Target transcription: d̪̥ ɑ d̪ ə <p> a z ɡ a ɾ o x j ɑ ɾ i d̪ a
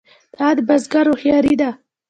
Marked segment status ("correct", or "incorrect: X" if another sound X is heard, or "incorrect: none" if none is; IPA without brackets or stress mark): incorrect: b